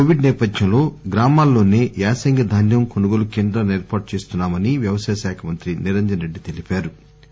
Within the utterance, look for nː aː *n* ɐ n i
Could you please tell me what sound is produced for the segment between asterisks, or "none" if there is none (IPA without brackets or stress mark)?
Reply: m